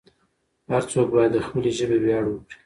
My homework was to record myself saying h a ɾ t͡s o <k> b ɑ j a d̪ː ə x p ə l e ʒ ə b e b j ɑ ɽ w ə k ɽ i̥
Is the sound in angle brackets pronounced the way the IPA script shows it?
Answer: yes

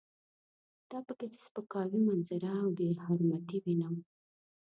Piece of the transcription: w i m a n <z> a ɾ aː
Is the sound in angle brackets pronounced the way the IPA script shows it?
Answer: yes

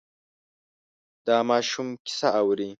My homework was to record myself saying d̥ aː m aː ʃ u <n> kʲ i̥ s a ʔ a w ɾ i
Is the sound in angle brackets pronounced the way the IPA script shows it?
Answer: no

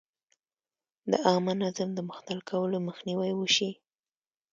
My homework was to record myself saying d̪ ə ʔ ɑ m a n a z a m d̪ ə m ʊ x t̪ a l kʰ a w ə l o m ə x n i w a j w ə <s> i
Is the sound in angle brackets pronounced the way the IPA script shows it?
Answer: no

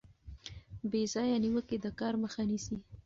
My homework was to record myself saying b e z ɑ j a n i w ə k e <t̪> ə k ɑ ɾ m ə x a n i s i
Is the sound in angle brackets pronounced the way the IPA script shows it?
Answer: no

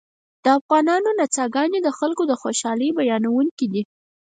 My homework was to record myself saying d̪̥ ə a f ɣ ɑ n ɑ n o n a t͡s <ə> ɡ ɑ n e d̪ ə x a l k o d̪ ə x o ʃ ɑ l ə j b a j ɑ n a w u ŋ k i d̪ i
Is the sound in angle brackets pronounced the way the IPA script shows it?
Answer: no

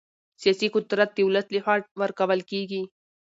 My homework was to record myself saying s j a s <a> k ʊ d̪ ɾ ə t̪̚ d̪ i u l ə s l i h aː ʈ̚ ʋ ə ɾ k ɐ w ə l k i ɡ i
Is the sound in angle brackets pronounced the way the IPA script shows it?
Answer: no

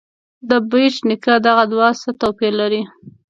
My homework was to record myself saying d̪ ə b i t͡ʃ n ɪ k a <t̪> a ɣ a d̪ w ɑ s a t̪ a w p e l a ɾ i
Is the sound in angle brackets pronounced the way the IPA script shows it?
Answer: no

